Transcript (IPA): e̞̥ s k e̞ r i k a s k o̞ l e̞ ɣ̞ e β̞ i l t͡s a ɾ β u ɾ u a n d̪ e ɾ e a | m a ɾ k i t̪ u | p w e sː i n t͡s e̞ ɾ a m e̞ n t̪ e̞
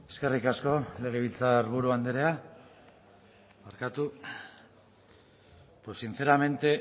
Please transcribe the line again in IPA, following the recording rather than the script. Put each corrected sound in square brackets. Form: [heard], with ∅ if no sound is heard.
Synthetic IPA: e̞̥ s k e̞ r i k a s k o̞ l e̞ ɣ̞ e β̞ i l t͡s a ɾ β u ɾ u a n d̪ e ɾ e a | m a ɾ k [a] t̪ u | p w e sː i n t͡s e̞ ɾ a m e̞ n t̪ e̞